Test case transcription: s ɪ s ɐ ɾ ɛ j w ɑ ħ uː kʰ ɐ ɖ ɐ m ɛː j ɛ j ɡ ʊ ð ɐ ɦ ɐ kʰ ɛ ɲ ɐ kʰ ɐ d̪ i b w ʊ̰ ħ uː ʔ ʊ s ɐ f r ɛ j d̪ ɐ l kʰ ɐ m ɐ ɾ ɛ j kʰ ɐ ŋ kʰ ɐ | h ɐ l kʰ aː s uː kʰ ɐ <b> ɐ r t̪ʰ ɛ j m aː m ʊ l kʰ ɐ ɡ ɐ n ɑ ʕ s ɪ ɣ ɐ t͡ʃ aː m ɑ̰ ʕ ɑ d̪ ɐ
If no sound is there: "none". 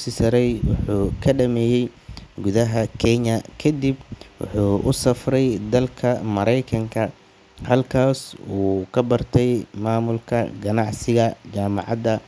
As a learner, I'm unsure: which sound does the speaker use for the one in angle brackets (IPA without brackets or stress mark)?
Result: b